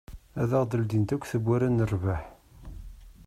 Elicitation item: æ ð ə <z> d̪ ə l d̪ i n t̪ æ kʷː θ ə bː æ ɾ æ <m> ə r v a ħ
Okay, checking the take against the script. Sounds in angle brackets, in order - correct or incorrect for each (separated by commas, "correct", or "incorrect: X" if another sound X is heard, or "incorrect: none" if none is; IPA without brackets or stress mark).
incorrect: ʁ, incorrect: n